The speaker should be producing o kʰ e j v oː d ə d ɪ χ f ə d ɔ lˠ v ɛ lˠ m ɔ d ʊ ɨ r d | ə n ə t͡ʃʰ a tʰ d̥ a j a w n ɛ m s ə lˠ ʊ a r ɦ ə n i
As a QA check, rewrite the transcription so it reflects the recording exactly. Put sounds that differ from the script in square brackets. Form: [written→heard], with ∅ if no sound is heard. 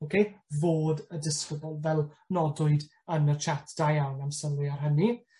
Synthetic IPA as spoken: o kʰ e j v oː d ə d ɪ [χ→s] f ə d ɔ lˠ v ɛ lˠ [m→n] ɔ d ʊ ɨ [r→∅] d | ə n ə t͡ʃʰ a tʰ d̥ a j a w n [ɛ→a] m s ə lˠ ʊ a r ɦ ə n i